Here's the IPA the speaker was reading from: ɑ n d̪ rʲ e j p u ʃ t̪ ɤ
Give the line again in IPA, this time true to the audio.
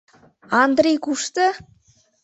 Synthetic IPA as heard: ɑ n d̪ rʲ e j k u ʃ t̪ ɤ

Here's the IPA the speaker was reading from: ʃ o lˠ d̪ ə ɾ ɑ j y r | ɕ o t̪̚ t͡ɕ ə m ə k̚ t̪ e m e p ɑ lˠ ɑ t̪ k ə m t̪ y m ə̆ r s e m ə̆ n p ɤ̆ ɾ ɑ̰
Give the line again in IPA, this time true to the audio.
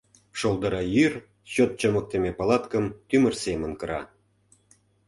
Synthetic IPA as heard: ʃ o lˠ d̪ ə ɾ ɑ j y r | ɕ o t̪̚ t͡ɕ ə m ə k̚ t̪ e m e p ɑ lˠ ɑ t̪ k ə m t̪ y m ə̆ r s e m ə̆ n k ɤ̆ ɾ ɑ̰

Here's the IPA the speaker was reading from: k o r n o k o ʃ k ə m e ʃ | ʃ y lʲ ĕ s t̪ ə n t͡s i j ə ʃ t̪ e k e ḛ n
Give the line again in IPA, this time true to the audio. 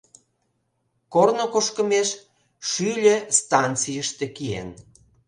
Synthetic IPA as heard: k o r n o k o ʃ k ə m e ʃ | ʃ y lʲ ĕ s t̪ ɑ n t͡s i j ə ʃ t̪ e k i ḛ n

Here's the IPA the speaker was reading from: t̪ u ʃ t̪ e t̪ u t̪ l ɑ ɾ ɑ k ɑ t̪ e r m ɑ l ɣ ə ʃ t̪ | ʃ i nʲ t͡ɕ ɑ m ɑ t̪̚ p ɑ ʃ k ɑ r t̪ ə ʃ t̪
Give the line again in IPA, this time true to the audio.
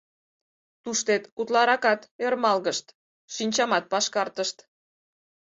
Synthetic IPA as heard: t̪ u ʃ t̪ e t̪ u t̪ l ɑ ɾ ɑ k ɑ t̪ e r m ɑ l ɣ ə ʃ t̪ | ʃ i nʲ t͡ɕ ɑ m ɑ t̪̚ p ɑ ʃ k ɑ r t̪ ə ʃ t̪

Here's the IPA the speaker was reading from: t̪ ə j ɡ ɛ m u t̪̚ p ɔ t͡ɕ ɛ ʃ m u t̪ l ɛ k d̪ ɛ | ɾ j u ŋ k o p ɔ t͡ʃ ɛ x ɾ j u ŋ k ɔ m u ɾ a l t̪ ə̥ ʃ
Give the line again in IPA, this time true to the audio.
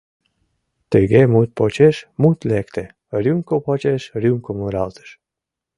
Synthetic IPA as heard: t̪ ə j ɡ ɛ m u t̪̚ p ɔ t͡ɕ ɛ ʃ m u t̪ l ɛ k t̪ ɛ | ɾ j u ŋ k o p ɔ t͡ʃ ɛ ʃ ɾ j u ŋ k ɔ m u ɾ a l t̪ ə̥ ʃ

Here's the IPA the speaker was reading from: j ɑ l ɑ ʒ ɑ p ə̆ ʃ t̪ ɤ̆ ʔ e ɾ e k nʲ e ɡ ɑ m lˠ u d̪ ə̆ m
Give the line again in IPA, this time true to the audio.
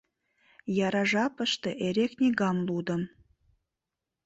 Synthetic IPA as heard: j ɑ ɾ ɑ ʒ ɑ p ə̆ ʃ t̪ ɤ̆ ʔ e ɾ e k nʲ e ɡ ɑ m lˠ u d̪ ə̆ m

